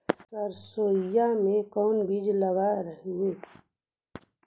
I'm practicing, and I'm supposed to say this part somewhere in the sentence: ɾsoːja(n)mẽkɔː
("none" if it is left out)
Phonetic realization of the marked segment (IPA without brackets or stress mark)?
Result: none